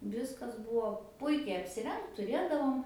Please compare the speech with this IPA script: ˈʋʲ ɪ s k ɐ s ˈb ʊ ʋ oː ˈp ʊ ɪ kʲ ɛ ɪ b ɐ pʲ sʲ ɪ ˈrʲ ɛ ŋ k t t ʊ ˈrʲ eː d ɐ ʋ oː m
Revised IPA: ˈʋʲ ɪ s k ɐ s ˈb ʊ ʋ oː ˈp ʊ ɪ kʲ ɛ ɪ ɐ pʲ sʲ ɪ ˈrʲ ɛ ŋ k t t ʊ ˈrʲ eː d ɐ ʋ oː m

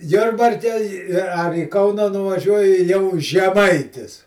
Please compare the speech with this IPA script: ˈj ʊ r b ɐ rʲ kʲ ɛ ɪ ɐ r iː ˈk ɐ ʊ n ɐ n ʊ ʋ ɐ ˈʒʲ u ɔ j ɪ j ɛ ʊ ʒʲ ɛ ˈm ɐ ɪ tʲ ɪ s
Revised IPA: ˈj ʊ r b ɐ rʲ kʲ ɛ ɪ ɐ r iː ˈk ɐ ʊ n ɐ n ʊ ʋ ɐ ˈʒʲ u ɔ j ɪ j ɛ ʊ ʒʲ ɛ ˈm ɐ ɪ tʲ ɪ s

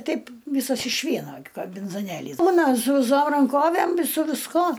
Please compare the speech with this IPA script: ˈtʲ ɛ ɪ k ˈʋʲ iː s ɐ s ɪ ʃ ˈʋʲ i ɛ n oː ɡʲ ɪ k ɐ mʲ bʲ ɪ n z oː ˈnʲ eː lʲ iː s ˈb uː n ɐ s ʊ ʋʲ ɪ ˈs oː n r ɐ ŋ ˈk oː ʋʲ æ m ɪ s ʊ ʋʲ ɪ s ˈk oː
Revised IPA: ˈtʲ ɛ ɪ p ˈʋʲ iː s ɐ s ɪ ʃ ˈʋʲ i ɛ n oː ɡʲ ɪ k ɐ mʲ bʲ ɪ n z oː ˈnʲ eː lʲ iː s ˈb uː n ɐ s ʊ ʋʲ ɪ ˈs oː m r ɐ ŋ ˈk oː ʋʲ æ m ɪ s ʊ ʋʲ ɪ s ˈk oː

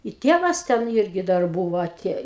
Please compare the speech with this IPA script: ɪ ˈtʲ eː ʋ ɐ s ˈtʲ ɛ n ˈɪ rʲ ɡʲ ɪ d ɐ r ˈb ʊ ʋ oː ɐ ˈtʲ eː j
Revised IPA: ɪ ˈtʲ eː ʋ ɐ s ˈtʲ ɛ n ˈɪ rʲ ɡʲ ɪ d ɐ r ˈb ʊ ʋ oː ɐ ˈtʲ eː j

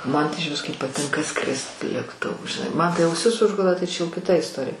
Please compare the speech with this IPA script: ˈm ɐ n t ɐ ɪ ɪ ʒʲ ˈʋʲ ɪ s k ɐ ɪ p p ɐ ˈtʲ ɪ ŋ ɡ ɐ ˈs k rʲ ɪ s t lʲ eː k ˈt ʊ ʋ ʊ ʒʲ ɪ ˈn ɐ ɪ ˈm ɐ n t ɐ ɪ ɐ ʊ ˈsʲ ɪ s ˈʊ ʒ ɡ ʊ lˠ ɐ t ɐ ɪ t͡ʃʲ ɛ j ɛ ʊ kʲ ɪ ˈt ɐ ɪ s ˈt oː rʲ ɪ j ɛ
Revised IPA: ˈm ɐ n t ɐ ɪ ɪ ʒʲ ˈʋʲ ɪ s k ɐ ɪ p p ɐ ˈtʲ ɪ ŋ k ɐ ˈs k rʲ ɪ s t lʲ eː k ˈt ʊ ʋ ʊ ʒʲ ɪ ˈn ɐ ɪ ˈm ɐ n t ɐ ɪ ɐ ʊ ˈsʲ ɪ s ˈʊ ʒ ɡ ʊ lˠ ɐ t ɐ ɪ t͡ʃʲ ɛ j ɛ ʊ kʲ ɪ ˈt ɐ ɪ s ˈt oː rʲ ɪ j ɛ

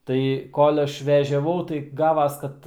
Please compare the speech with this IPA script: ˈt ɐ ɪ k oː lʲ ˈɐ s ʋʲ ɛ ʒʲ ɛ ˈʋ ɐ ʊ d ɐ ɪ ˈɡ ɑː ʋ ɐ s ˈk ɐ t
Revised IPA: ˈt ɐ ɪ k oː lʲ ˈɐ ʃ ʋʲ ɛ ʒʲ ɛ ˈʋ ɐ ʊ t ɐ ɪ ˈɡ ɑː ʋ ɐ s ˈk ɐ t

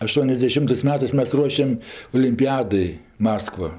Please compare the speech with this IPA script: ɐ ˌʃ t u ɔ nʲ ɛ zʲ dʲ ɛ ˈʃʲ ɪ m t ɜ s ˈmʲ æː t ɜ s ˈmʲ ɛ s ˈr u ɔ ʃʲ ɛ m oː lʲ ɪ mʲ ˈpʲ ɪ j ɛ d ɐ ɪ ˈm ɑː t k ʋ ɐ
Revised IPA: ɐ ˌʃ t u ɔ nʲ ɛ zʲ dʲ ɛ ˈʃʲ ɪ m t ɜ s ˈmʲ æː t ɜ s ˈmʲ ɛ s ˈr u ɔ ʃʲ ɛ m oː lʲ ɪ mʲ ˈpʲ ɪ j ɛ d ɐ ɪ ˈm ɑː s k ʋ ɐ

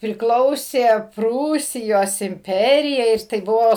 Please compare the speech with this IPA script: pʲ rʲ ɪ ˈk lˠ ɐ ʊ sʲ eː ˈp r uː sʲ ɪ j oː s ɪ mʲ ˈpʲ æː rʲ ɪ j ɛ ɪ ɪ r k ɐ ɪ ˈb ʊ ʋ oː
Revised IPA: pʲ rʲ ɪ ˈk lˠ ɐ ʊ sʲ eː ˈp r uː sʲ ɪ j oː s ɪ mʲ ˈpʲ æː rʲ ɪ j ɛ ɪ ɪ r t ɐ ɪ ˈb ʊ ʋ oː

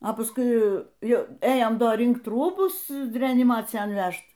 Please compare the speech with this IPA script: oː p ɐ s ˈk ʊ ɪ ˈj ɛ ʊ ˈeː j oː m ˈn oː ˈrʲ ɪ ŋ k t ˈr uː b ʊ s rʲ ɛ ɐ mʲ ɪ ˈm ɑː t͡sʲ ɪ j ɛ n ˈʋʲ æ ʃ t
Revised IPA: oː p ɐ s ˈk ʊ ɪ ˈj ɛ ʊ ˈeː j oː m ˈd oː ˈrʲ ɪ ŋ k t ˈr uː b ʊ s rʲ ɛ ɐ nʲ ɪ ˈm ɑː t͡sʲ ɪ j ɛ n ˈʋʲ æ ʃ t

